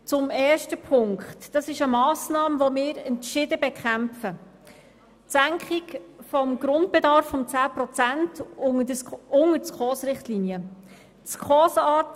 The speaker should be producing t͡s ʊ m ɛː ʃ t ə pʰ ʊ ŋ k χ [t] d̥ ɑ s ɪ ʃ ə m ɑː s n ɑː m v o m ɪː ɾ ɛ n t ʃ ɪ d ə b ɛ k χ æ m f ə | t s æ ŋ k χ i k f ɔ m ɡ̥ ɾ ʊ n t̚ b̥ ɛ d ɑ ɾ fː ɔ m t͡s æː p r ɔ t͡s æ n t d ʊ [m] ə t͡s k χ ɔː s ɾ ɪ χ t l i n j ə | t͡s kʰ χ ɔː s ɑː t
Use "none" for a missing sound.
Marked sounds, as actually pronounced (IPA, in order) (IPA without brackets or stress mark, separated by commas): t, ŋ